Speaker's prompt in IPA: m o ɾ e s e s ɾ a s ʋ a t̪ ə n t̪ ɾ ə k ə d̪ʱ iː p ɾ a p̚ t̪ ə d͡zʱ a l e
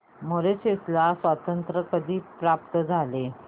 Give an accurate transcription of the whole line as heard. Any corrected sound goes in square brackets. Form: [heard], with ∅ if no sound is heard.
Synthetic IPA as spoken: m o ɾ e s e s [l] a s ʋ a t̪ ə n t̪ ɾ ə k ə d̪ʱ iː p ɾ a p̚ t̪ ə d͡zʱ a l e